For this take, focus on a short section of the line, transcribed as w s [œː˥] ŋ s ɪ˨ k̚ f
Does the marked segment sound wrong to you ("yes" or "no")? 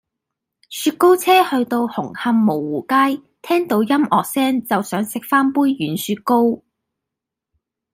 yes